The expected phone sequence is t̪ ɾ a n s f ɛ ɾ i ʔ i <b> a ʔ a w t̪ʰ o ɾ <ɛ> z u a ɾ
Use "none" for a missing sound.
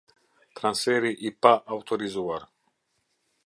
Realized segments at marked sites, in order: p, i

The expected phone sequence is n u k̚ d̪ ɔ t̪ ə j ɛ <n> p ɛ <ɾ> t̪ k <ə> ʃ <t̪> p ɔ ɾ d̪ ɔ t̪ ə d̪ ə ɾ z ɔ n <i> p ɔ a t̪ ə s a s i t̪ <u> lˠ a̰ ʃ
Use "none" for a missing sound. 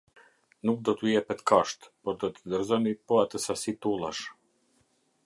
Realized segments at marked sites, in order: none, none, a, t̪, i, u

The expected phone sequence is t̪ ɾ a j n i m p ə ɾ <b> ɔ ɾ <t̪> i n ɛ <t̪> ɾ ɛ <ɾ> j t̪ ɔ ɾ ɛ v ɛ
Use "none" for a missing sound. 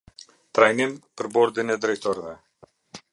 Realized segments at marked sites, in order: b, d̪, d̪, none

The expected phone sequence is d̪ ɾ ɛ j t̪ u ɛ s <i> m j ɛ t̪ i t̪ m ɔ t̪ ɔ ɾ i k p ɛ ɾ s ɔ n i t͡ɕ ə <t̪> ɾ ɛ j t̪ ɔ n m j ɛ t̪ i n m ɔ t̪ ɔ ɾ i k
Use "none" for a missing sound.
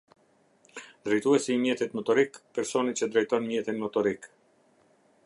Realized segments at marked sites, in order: iː, d̪

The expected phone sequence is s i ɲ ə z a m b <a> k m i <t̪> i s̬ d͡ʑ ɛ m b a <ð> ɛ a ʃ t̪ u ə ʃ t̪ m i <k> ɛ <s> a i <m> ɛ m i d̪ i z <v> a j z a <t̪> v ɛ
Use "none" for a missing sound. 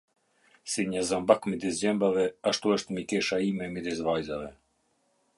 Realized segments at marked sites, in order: a, d̪, v, k, ʃ, m, v, none

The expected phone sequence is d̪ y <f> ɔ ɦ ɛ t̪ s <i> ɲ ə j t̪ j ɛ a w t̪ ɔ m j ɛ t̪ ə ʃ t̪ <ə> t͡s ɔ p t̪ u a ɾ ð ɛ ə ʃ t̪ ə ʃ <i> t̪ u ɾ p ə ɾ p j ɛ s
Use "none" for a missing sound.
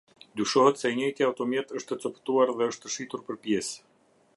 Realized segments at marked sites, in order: ʃ, ɛ, ə, i

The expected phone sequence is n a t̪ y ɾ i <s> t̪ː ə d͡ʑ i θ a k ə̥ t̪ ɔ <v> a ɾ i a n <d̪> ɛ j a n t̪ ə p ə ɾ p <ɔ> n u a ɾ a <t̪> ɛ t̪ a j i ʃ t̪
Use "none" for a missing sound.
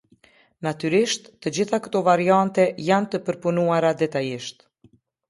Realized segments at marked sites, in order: ʃ, v, t̪, u, d̪

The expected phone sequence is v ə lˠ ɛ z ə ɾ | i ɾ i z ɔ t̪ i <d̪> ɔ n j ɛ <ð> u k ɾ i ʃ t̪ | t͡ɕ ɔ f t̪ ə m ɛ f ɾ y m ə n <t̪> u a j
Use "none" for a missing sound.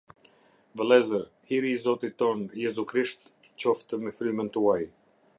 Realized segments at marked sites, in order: t̪, z, t̪

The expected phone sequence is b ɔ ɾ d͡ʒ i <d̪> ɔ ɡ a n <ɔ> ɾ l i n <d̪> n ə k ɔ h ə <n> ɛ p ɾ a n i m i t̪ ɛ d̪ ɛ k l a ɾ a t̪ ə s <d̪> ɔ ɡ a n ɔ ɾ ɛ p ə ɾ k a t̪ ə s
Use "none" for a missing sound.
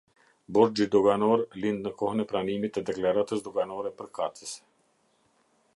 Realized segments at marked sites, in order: d̪, ɔ, d̪, n, d̪

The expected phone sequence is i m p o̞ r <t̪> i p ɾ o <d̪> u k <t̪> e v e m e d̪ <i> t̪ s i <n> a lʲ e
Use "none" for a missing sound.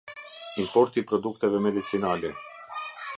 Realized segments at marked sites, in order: t̪, d̪, t̪, i, n

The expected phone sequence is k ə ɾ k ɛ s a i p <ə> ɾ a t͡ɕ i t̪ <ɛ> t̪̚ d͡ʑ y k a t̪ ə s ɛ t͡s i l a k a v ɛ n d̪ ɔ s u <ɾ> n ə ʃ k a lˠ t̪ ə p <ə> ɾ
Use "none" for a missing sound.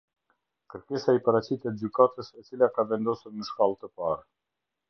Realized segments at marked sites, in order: a, ɛ, ɾ, a

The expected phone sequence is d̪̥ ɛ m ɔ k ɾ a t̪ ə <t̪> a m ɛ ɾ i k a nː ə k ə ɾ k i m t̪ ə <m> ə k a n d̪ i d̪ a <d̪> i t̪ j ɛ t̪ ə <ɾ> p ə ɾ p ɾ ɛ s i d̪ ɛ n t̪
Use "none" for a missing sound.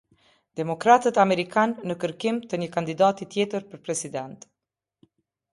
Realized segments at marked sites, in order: t̪, ɲ, t̪, ɾ

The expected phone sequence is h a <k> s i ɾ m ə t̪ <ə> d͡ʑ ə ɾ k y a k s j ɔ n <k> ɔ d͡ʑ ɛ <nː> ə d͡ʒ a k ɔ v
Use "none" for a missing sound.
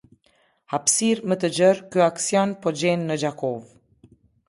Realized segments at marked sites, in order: p, ə, p, nː

